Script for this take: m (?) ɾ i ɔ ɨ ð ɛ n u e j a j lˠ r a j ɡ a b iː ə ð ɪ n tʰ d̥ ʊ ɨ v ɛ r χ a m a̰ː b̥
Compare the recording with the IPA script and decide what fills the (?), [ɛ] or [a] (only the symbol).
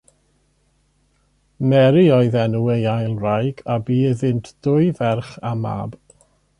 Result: ɛ